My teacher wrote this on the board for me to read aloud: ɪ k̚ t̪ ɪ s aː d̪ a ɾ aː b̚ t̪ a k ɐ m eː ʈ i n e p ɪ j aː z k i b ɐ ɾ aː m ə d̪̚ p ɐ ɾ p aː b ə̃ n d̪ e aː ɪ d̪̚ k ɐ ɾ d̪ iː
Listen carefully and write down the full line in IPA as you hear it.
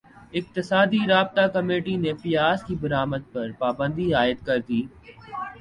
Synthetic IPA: ɪ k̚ t̪ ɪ s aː d̪ i ɾ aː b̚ t̪ a k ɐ m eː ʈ i n e p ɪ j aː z k i b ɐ ɾ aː m ə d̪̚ p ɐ ɾ p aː b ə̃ n d̪ i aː ɪ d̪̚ k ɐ ɾ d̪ iː